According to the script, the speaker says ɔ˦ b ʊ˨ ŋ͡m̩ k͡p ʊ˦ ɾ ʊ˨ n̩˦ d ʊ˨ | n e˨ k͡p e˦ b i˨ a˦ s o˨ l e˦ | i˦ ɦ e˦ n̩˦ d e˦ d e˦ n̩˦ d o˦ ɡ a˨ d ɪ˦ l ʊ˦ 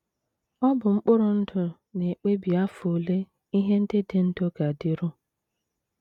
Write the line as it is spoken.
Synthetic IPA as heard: ɔ˦ b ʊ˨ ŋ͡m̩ k͡p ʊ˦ ɾ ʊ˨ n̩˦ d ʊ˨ | n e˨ k͡p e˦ b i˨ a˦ f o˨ l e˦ | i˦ ɦ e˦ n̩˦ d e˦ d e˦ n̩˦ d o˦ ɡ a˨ d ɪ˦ ɾ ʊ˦